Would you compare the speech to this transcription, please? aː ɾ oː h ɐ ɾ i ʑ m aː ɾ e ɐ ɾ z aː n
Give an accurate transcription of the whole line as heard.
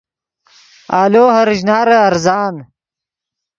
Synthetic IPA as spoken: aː l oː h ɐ ɾ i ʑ n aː ɾ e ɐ ɾ z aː n